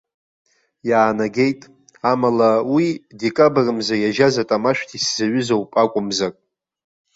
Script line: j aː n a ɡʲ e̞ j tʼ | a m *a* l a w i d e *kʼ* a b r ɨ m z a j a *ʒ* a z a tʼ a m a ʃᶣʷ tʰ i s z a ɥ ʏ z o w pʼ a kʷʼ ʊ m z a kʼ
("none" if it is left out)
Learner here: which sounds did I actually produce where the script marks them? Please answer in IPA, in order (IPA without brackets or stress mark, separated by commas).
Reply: a, kʼ, ʒ